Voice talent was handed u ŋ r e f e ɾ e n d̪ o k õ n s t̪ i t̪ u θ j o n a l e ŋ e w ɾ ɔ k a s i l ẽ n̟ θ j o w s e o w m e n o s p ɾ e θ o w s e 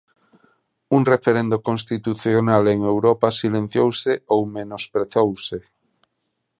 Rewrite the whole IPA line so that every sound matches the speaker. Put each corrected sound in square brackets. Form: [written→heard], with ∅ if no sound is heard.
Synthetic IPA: u ŋ r e f e ɾ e n d̪ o k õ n s t̪ i t̪ u θ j o n a l e ŋ e w ɾ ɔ [k→p] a s i l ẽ n̟ θ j o w s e o w m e n o s p ɾ e θ o w s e